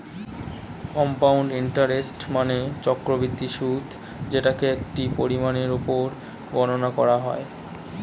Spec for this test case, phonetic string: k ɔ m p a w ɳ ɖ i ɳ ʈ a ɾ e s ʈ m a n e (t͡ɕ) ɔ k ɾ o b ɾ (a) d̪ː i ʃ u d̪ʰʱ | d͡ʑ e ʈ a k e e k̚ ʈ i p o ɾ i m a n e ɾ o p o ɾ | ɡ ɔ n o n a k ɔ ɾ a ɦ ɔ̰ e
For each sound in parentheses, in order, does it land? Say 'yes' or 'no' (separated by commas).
yes, no